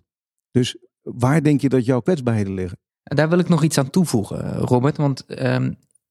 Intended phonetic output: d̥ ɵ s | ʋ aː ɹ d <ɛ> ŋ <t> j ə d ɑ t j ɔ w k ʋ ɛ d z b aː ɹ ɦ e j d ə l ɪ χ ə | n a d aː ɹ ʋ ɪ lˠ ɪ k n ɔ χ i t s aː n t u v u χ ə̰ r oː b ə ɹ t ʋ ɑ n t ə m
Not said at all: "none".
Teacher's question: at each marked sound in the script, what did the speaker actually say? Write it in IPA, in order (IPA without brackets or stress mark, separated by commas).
ɛ, k